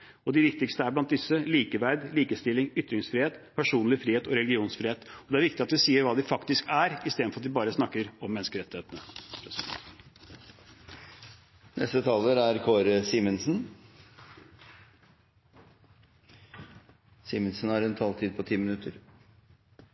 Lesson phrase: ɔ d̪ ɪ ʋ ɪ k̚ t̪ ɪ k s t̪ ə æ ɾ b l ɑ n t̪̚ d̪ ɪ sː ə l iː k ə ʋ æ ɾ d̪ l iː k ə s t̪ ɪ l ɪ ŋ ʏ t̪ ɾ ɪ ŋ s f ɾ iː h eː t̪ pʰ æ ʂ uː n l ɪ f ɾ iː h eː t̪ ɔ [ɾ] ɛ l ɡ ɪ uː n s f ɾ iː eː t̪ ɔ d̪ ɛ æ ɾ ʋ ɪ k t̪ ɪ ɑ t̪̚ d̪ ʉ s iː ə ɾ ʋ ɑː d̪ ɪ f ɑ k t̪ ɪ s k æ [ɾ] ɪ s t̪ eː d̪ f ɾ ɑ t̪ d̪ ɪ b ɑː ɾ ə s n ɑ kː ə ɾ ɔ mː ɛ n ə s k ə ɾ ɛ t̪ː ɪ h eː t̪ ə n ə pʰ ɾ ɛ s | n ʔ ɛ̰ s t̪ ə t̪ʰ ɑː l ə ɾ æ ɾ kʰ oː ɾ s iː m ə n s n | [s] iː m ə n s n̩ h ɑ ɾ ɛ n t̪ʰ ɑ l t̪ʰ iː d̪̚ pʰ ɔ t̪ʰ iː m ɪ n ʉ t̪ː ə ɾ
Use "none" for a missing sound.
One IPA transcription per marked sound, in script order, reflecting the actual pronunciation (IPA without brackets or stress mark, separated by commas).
ɾ, ɾ, s